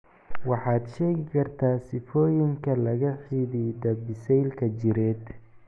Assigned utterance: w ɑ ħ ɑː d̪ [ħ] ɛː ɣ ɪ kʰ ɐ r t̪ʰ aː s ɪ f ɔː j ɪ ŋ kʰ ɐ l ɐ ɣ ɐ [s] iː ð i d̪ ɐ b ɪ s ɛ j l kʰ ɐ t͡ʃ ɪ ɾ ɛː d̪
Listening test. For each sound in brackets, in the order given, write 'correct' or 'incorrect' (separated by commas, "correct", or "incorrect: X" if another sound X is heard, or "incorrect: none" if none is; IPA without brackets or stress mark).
incorrect: ʃ, incorrect: ħ